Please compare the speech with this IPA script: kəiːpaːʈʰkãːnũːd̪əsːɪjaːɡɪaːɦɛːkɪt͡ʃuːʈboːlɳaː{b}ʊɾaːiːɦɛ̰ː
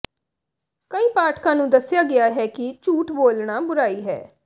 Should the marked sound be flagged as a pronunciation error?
no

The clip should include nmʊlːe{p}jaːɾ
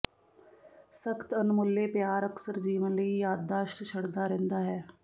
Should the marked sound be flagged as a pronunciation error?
no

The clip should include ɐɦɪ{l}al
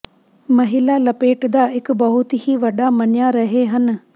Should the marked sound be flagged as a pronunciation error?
no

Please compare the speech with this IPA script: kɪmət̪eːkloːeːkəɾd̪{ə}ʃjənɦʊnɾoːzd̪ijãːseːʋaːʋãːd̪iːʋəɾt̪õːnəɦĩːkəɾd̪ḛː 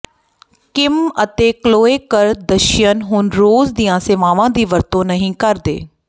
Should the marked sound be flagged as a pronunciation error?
no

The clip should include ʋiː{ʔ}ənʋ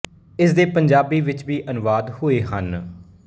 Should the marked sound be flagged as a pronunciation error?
no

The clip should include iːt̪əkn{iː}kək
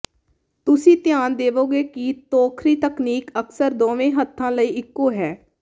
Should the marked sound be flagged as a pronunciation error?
no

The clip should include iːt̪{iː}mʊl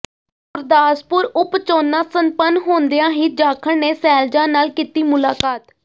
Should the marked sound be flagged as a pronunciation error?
no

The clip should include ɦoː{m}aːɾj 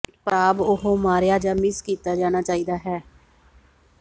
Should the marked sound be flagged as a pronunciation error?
no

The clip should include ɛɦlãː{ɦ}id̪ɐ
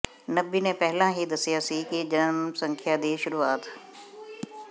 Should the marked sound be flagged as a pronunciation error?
no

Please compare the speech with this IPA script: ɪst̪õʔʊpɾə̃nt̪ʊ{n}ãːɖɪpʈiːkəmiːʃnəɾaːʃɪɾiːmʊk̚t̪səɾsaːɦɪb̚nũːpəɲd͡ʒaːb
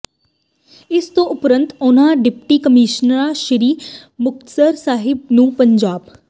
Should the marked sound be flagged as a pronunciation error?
no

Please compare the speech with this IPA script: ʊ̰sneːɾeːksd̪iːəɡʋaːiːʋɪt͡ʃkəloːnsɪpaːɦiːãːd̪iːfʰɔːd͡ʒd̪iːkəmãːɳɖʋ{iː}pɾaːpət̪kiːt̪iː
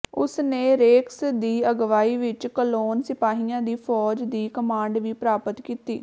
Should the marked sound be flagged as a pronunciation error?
no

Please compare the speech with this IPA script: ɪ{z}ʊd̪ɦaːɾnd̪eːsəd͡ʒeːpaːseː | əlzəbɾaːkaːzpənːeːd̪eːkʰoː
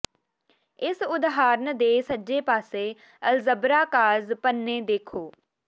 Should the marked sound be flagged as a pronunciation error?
yes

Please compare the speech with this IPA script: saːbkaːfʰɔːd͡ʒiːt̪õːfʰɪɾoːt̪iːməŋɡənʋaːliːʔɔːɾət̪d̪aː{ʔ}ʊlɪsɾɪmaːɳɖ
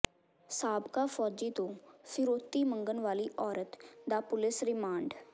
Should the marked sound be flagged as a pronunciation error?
yes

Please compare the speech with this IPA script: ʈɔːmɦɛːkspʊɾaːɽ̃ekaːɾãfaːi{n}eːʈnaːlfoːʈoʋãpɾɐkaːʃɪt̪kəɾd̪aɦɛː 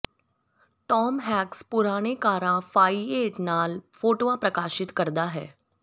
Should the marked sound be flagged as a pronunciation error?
yes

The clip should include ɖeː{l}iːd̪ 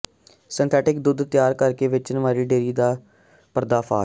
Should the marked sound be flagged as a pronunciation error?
yes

